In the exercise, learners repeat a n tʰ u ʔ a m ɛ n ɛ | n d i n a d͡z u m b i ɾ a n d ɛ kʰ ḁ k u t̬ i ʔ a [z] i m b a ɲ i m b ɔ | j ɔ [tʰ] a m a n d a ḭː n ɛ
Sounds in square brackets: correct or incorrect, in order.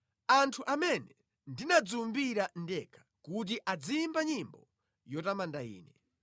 incorrect: d͡z, incorrect: t

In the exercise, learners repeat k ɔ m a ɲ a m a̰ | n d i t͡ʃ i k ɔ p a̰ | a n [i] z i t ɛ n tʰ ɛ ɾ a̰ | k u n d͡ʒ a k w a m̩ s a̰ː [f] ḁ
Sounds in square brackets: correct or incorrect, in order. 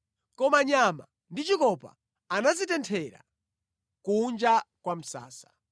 incorrect: a, incorrect: s

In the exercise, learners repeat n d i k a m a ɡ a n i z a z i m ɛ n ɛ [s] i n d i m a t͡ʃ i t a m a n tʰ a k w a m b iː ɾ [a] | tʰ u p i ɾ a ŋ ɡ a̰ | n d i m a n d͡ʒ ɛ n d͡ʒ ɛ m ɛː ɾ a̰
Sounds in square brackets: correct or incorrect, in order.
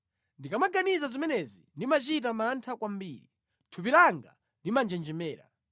incorrect: z, incorrect: i

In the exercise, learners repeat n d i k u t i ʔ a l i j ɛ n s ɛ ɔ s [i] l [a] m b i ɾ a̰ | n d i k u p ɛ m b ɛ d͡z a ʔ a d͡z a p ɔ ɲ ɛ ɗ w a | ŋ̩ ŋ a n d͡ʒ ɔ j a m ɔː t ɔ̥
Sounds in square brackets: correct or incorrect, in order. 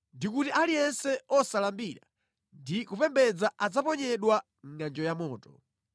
incorrect: a, correct

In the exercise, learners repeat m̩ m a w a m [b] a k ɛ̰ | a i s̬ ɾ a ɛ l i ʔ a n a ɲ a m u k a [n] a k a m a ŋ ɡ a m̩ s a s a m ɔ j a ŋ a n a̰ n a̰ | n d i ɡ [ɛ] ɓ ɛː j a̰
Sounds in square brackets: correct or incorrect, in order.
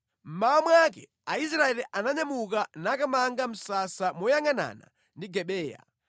incorrect: w, correct, correct

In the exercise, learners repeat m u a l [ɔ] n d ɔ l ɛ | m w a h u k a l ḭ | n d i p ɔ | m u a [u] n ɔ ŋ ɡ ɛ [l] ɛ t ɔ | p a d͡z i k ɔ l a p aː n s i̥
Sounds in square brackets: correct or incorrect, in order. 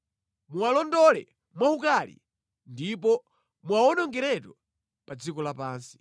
correct, incorrect: ɔ, incorrect: ɾ

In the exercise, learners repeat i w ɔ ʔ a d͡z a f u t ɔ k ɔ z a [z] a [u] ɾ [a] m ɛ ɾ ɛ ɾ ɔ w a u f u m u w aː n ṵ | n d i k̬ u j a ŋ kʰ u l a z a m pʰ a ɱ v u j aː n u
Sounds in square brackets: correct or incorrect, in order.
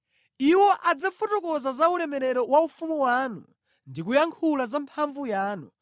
correct, correct, incorrect: ɛ

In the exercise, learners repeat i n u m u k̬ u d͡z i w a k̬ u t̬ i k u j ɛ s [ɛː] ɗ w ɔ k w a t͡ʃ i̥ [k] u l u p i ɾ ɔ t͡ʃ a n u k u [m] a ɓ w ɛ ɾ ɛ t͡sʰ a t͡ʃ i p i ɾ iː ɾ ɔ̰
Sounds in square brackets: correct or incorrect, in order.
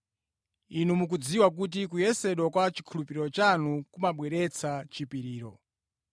incorrect: ɛ, incorrect: kʰ, correct

